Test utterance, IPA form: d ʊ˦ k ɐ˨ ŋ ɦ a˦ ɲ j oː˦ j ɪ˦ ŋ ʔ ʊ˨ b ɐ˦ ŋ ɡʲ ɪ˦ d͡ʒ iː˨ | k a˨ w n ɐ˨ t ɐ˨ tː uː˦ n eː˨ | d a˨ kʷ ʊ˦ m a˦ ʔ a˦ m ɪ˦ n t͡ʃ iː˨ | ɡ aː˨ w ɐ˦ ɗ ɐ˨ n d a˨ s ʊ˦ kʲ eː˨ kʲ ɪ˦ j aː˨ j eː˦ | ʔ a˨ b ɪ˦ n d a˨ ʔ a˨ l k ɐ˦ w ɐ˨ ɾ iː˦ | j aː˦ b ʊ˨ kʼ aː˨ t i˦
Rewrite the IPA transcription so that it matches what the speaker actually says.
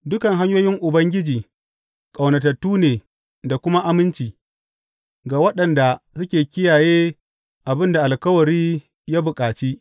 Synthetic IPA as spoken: d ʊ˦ k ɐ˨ ŋ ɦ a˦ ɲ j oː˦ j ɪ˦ ŋ ʔ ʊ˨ b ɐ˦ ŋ ɡʲ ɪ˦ d͡ʒ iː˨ | kʼ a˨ w n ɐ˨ t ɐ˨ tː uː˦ n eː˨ | d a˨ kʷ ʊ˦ m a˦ ʔ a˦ m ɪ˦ n t͡ʃ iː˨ | ɡ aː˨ w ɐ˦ ɗ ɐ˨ n d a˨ s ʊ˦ kʲ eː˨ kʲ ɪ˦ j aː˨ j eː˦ | ʔ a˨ b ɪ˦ n d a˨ ʔ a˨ l k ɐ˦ w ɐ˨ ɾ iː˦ | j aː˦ b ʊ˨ kʼ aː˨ t͡ʃ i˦